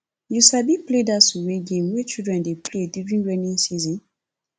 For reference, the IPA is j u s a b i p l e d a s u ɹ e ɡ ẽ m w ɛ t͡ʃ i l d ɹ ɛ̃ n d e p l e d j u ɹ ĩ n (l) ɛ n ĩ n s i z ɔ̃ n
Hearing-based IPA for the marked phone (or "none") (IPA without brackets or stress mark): ɹ